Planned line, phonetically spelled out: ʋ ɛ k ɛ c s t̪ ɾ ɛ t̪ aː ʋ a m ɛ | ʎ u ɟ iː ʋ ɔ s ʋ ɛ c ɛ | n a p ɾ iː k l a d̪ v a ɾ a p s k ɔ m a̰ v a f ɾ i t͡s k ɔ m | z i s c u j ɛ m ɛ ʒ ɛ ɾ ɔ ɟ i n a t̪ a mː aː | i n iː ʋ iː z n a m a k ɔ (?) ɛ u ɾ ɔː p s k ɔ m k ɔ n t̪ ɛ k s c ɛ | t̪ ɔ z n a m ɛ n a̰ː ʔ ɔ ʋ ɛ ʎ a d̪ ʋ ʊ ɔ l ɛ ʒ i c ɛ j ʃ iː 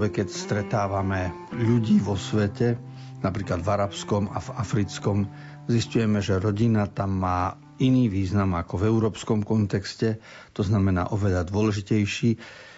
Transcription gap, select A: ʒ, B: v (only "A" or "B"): B